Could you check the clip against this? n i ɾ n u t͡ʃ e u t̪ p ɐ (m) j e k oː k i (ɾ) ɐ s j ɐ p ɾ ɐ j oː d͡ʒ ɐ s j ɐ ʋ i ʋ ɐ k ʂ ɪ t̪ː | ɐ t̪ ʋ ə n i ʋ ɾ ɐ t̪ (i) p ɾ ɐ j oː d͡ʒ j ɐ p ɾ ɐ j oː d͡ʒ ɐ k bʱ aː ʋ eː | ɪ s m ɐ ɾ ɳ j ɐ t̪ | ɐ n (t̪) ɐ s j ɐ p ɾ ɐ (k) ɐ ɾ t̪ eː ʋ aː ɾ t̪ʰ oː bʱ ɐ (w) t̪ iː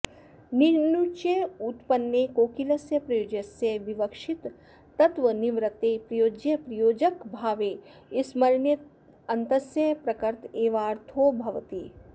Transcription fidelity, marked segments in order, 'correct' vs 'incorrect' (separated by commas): incorrect, incorrect, incorrect, correct, correct, incorrect